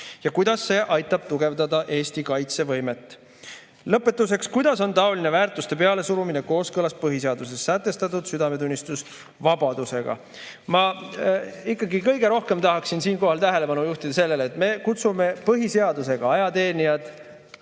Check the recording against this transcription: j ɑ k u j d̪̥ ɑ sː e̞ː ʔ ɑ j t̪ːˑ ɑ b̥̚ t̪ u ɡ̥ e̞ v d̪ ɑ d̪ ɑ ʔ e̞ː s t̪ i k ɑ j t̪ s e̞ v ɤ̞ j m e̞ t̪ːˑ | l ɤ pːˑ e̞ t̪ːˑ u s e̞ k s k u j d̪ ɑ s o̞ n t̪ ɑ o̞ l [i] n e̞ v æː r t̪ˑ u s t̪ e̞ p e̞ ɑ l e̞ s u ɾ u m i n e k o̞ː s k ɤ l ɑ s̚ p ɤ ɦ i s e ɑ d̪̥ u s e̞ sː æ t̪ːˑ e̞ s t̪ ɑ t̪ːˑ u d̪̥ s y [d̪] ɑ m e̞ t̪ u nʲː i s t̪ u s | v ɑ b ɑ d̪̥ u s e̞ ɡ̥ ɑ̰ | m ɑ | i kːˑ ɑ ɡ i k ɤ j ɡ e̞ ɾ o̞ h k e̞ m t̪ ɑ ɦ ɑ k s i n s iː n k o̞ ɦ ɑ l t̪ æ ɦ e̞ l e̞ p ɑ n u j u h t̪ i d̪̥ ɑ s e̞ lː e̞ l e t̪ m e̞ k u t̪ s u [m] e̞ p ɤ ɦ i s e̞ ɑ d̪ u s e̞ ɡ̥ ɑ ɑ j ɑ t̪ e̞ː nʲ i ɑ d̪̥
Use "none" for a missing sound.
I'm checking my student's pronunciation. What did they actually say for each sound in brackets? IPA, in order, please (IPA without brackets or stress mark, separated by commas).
i, d̪, m